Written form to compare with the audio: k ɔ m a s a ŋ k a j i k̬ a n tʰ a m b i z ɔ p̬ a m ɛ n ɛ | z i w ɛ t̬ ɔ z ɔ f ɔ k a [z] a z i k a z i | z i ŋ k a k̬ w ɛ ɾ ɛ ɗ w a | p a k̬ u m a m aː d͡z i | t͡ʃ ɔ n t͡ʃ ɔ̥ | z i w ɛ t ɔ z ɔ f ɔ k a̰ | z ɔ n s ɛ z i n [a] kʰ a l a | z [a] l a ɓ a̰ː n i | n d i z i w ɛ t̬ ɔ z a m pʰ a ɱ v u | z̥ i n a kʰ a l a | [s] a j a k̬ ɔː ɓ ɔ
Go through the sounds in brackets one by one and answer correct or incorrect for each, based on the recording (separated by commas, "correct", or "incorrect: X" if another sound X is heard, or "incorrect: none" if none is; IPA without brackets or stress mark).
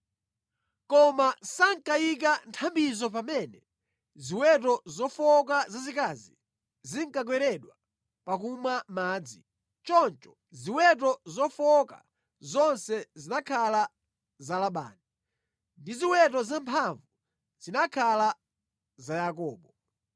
correct, correct, correct, incorrect: z